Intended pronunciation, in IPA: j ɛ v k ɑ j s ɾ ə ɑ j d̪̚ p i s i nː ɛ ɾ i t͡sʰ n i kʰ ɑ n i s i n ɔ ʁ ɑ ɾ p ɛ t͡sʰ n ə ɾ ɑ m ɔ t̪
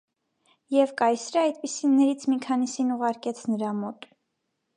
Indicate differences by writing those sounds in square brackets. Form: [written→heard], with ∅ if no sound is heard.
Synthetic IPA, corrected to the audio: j ɛ v k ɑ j s ɾ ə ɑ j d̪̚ p i s i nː ɛ ɾ i t͡sʰ [n→m] i kʰ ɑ n i s i n [ɔ→u] ʁ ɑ ɾ [p→k] ɛ t͡sʰ n ə ɾ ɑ m ɔ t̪

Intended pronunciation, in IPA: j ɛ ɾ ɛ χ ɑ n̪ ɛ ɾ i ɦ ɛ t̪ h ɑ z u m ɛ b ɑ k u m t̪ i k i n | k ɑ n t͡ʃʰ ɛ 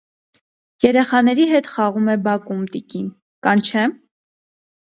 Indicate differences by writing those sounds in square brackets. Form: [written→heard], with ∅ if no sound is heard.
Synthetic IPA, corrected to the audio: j ɛ ɾ ɛ χ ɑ n̪ ɛ ɾ i ɦ ɛ t̪ [h→χ] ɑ [z→ʁ] u m ɛ b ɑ k u m t̪ i k i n | k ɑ n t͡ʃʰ ɛ

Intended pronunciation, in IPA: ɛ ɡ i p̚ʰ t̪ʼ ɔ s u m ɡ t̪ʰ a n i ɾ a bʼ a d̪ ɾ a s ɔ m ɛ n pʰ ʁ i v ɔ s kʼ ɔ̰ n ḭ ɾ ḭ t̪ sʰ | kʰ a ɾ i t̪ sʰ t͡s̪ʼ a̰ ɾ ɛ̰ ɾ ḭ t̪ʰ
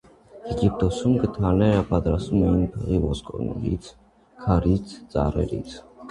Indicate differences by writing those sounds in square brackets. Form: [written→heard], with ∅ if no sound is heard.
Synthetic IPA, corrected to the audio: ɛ ɡ i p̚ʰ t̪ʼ ɔ s u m ɡ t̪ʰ a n [i→ɛ] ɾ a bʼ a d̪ ɾ a s [ɔ→u] m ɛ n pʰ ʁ i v ɔ s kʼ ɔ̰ n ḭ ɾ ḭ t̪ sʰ | kʰ a ɾ i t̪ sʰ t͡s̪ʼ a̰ ɾ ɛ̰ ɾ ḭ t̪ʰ

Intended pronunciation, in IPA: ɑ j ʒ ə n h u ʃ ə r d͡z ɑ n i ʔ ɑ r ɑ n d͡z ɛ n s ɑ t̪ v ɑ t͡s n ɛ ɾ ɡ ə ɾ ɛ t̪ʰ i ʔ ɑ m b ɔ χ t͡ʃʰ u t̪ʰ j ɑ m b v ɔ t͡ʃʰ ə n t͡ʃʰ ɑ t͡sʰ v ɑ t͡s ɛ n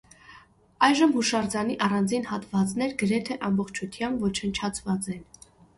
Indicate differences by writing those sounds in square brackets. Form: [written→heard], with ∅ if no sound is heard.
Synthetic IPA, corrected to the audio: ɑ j ʒ ə [n→m] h u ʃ [ə→ɑ] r d͡z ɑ n i ʔ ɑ r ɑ n d͡z [ɛ→i] n [s→h] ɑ t̪ v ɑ t͡s n ɛ ɾ ɡ ə ɾ ɛ t̪ʰ [i→ɛ] ʔ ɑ m b ɔ χ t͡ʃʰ u t̪ʰ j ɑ m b v ɔ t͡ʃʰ ə n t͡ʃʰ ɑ t͡sʰ v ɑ t͡s ɛ n

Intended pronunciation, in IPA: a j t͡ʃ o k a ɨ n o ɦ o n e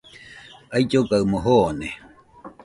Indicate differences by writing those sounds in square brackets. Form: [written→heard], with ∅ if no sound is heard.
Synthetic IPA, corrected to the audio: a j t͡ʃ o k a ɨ [n→m] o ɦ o n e

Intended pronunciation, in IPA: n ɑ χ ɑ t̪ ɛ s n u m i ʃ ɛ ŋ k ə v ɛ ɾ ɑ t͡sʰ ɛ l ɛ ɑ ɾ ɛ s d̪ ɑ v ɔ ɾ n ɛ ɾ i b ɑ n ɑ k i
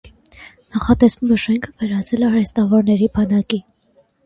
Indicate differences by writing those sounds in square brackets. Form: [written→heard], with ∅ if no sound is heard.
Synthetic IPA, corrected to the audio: n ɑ χ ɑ t̪ ɛ s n u m [i→ɛ] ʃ ɛ ŋ [k→kʰ] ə v ɛ ɾ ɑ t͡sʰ ɛ l ɛ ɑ ɾ ɛ s [d̪→t̪] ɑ v ɔ ɾ n ɛ ɾ i b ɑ n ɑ k i

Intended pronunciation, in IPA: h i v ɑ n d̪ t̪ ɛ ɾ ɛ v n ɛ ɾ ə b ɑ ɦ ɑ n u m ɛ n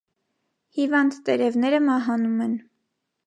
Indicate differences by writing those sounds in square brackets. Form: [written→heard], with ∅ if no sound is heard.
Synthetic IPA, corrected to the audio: h i v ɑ n d̪ t̪ ɛ ɾ ɛ v n ɛ ɾ ə [b→m] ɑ ɦ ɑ n u m ɛ n

